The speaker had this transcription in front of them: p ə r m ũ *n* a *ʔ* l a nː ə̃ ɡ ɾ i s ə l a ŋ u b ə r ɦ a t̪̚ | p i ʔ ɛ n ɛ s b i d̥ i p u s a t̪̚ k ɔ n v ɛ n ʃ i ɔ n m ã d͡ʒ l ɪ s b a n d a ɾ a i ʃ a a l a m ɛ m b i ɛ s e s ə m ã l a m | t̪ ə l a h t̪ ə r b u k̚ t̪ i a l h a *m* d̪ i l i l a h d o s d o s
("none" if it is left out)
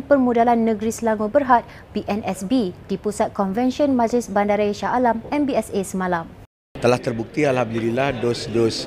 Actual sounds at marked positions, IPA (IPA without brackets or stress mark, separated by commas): d, none, m